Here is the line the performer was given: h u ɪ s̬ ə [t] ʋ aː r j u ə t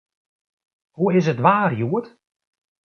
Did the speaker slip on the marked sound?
no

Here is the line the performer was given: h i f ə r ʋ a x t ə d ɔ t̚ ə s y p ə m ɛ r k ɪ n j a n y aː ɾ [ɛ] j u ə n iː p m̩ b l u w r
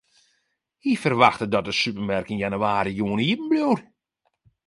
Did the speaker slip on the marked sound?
yes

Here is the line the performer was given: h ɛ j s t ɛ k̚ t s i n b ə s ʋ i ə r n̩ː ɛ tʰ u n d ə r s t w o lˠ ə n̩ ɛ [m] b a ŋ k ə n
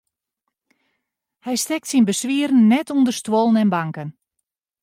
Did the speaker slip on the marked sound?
yes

